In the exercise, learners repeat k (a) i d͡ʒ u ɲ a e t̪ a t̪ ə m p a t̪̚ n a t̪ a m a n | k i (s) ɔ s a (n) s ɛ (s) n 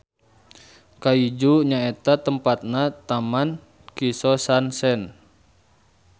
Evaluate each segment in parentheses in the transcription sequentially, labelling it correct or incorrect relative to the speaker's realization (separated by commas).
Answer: correct, correct, correct, incorrect